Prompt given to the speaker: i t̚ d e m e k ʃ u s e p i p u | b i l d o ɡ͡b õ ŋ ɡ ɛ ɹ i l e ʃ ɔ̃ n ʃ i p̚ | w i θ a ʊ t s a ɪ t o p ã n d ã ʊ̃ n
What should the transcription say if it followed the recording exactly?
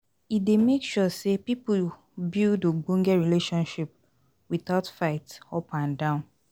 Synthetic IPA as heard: i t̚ d e m e k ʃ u s e p i p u | b i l d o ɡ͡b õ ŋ ɡ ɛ ɹ i l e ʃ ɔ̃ n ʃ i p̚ | w i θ a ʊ t f a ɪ t ɔ p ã n d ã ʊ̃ n